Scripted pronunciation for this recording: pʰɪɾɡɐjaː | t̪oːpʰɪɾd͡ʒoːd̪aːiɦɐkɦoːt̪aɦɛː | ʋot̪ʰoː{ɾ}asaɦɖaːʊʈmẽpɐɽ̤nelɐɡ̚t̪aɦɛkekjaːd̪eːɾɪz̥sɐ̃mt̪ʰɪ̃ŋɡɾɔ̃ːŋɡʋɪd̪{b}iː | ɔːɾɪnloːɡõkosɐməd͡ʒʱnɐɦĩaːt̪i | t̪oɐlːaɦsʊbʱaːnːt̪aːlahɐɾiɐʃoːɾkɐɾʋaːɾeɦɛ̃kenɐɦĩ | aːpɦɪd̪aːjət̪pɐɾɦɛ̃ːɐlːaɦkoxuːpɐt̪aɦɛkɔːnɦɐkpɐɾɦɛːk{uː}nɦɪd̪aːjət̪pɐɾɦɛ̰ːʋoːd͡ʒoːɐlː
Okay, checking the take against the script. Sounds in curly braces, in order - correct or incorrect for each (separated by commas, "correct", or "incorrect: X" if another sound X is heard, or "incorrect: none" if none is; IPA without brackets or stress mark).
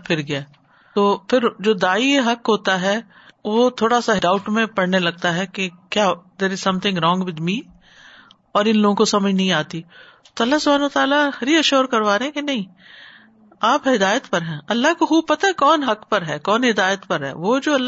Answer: incorrect: ɽ, incorrect: m, incorrect: ɔː